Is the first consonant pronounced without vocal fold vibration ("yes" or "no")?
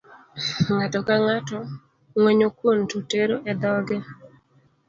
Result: no